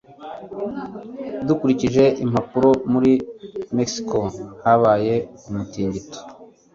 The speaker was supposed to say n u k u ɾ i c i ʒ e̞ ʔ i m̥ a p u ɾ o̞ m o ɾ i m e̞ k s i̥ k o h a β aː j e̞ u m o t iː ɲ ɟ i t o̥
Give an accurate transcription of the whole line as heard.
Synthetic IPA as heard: d u k u ɾ i c i ʒ e̞ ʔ i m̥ a p u ɾ o̞ m u ɾ i m e̞ k s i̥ k o h a β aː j e̞ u m u t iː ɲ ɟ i t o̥